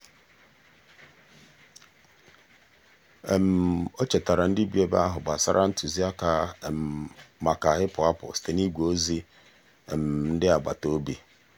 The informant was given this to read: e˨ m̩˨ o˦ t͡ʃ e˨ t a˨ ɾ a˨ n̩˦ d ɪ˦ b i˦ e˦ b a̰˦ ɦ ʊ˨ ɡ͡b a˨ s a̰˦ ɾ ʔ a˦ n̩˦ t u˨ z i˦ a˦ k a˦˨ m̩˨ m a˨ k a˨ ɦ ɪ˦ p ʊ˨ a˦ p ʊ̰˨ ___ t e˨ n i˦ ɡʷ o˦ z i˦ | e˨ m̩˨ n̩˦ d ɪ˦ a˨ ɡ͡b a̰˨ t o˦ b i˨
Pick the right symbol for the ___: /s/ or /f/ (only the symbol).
s